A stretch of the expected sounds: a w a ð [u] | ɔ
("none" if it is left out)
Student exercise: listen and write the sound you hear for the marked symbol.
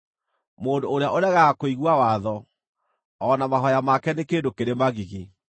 ɔ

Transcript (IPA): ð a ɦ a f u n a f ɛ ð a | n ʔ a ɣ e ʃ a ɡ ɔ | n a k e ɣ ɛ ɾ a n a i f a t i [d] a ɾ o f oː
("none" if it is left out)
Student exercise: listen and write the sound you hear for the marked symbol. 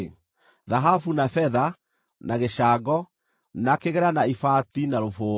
n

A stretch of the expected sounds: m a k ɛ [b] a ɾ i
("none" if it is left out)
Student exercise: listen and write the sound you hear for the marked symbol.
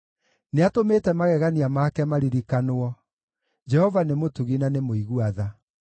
m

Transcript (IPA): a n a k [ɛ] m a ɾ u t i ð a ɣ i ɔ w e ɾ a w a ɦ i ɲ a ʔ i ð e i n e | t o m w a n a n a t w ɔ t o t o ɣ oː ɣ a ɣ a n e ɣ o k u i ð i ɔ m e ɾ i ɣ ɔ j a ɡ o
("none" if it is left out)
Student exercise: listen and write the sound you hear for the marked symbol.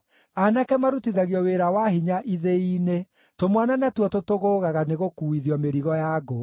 ɛ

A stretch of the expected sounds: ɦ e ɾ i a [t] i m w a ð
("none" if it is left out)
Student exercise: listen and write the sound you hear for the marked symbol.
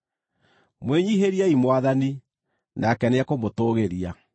none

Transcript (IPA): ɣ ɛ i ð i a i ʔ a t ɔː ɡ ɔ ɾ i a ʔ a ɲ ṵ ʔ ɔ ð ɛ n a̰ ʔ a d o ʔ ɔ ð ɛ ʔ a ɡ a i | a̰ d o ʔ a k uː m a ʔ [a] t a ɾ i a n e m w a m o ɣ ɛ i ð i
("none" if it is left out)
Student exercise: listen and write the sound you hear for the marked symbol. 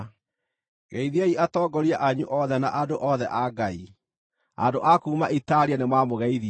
i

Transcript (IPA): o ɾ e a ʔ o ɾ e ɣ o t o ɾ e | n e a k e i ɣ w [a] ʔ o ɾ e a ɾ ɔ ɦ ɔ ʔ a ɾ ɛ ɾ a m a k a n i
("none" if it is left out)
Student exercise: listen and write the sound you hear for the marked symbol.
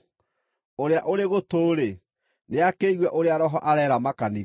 ɛ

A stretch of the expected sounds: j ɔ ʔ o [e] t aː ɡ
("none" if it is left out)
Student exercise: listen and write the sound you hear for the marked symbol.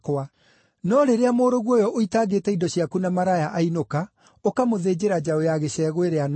i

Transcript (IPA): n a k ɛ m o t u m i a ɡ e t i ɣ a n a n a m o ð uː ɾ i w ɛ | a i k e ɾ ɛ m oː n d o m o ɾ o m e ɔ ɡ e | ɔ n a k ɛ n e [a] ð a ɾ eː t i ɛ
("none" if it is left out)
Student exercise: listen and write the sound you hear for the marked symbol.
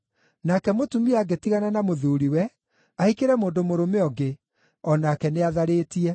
a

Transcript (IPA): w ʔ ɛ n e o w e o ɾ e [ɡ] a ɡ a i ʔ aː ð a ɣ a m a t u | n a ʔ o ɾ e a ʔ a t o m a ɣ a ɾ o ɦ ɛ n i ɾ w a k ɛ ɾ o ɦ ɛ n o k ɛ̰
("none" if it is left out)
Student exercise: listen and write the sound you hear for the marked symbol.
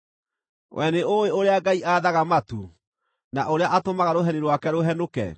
none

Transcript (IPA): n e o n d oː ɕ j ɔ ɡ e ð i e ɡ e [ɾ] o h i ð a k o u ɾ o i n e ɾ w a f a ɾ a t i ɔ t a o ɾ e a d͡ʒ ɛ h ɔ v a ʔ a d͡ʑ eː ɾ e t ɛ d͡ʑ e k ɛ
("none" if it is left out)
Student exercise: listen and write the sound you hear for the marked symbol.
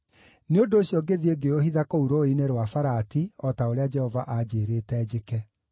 none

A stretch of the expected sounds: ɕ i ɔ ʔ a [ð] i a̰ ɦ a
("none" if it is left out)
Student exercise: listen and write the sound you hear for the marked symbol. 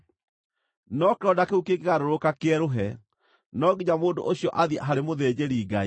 ð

